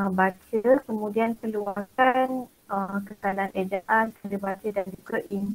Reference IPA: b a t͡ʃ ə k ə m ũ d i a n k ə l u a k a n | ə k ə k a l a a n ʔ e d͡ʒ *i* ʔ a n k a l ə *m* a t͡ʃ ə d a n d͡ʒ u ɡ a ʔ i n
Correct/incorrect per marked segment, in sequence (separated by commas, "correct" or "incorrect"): incorrect, incorrect